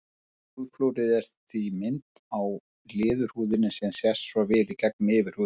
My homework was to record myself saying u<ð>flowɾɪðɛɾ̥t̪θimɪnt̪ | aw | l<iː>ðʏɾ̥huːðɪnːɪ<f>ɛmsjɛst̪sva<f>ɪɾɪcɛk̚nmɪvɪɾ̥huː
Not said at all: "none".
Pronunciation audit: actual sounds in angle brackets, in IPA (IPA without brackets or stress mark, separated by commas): ð, ɪː, s, v